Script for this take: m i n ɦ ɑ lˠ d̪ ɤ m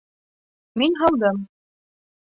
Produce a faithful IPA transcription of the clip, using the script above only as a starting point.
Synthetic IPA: m i n ɦ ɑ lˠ d̪ ɤ m